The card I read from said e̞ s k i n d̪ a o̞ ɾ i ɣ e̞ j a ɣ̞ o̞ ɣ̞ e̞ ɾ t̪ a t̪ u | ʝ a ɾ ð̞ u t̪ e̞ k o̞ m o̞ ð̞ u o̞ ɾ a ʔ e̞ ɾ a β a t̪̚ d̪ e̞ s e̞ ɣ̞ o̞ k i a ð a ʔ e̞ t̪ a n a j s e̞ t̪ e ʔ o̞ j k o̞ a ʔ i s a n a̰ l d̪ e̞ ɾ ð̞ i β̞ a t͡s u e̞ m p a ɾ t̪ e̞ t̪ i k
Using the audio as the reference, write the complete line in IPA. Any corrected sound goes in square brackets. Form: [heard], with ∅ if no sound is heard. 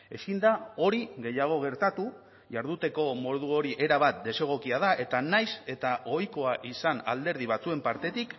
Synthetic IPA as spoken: e̞ s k i n d̪ a o̞ ɾ i ɣ e̞ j a ɣ̞ o̞ ɣ̞ e̞ ɾ t̪ a t̪ u | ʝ a ɾ ð̞ u t̪ e̞ k o̞ m o̞ ð̞ u o̞ ɾ [i] ʔ e̞ ɾ a β a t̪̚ d̪ e̞ s e̞ ɣ̞ o̞ k i a ð a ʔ e̞ t̪ a n a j s e̞ t̪ [a] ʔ o̞ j k o̞ a ʔ i s a n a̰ l d̪ e̞ ɾ ð̞ i β̞ a t͡s u e̞ m p a ɾ t̪ e̞ t̪ i k